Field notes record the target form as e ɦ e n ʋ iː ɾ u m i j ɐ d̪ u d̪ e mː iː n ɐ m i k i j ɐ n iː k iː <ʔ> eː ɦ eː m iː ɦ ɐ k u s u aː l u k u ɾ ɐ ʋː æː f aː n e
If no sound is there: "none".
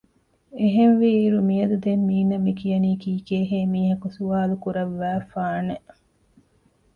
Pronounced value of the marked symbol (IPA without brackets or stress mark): k